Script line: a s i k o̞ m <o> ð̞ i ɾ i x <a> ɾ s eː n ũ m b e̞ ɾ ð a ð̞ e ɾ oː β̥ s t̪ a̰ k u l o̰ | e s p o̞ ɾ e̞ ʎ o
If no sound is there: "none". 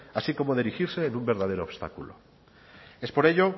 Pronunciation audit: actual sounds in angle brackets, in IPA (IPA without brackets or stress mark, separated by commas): o, i